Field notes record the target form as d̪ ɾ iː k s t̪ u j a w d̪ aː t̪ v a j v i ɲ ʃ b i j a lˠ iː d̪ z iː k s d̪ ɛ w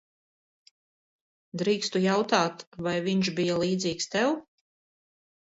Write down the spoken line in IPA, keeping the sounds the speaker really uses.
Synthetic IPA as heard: d̪ ɾ iː k s t̪ u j a w t̪ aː t̪ v a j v i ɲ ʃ b i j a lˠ iː d̪ z iː k s t̪ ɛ w